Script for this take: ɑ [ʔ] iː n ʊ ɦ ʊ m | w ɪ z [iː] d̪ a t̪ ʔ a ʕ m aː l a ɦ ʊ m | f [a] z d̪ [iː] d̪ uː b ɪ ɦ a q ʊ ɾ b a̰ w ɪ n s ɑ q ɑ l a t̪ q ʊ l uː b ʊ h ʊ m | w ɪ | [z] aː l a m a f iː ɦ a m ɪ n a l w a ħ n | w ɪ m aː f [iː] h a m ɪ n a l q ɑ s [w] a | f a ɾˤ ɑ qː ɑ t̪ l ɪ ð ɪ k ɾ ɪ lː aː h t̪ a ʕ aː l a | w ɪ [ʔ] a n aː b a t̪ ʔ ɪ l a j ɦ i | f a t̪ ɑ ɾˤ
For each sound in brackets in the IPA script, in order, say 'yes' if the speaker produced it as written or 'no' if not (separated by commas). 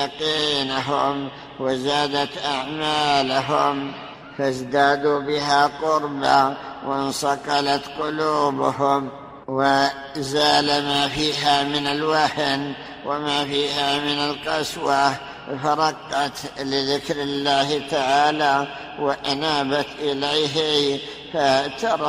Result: no, no, yes, no, yes, yes, yes, yes